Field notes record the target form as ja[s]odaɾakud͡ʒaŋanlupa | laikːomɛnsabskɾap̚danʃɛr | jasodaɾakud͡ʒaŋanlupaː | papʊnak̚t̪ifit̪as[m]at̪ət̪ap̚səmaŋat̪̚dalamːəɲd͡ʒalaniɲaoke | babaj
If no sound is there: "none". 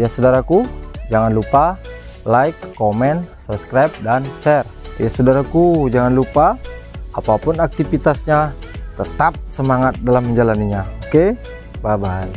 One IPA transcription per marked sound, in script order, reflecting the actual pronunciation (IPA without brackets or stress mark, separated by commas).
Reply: s, ɲ